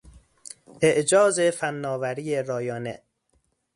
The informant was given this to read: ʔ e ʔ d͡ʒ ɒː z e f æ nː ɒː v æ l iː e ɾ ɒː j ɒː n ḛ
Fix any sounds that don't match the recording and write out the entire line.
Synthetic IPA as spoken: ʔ e ʔ d͡ʒ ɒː z e f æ nː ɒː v æ ɾ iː e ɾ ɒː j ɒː n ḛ

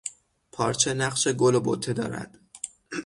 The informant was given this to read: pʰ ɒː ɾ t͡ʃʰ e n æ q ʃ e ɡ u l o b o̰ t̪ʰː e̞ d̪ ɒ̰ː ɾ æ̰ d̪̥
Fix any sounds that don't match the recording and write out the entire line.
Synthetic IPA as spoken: pʰ ɒː ɾ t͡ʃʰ e n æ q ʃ e ɡ o l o b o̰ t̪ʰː e̞ d̪ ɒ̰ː ɾ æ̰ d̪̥

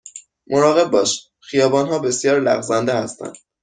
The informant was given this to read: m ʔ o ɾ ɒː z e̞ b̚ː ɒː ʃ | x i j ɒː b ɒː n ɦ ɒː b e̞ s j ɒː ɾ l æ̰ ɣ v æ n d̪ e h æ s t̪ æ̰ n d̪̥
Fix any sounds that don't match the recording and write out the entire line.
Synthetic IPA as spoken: m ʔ o ɾ ɒː ɣ e̞ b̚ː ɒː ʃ | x i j ɒː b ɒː n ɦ ɒː b e̞ s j ɒː ɾ l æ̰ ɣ z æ n d̪ e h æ s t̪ æ̰ n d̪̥

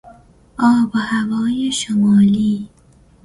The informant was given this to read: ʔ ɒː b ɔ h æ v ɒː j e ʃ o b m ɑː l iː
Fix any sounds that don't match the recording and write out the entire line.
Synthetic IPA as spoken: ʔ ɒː b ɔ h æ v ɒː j e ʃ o m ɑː l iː

